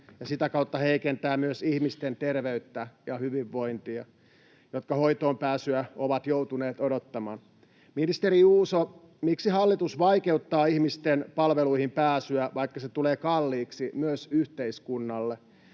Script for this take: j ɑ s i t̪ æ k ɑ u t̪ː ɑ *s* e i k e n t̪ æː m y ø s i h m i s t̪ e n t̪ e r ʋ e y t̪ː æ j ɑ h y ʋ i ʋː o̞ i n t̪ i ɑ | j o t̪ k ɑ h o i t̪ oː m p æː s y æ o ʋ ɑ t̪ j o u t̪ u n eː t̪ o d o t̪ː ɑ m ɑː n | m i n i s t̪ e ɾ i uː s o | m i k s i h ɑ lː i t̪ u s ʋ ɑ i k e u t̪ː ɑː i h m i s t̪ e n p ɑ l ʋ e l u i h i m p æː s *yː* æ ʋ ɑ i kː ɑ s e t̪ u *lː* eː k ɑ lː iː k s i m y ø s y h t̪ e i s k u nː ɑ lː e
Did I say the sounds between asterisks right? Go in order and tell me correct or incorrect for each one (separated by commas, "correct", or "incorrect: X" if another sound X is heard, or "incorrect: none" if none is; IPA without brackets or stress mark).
incorrect: h, incorrect: y, incorrect: l